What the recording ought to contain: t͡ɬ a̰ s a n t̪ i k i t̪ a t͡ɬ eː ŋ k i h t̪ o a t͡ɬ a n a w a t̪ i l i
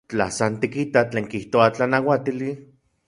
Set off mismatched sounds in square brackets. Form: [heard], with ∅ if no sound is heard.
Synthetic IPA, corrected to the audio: t͡ɬ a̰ s a n t̪ i k i t̪ a t͡ɬ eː ŋ k i h t̪ o a t͡ɬ a n a w a t̪ i l i